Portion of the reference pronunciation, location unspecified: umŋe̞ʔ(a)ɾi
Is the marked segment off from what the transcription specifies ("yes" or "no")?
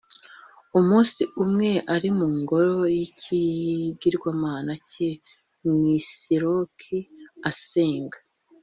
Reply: no